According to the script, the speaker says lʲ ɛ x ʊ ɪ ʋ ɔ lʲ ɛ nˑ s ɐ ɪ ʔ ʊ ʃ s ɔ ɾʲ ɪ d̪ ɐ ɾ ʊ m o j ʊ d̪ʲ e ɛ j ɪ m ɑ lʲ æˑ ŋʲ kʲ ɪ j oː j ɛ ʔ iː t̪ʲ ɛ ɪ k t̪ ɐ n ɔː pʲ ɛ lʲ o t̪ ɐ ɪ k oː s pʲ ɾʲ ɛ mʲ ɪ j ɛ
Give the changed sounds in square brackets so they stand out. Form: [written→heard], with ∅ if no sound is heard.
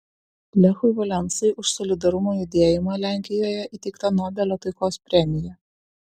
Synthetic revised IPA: lʲ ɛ x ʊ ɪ ʋ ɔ lʲ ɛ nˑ s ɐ ɪ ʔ ʊ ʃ s ɔ [ɾʲ→lʲ] ɪ d̪ ɐ ɾ ʊ m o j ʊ d̪ʲ e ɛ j ɪ m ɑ lʲ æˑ ŋʲ kʲ ɪ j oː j ɛ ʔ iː t̪ʲ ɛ ɪ k t̪ ɐ n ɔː [pʲ→bʲ] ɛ lʲ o t̪ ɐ ɪ k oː s pʲ ɾʲ ɛ mʲ ɪ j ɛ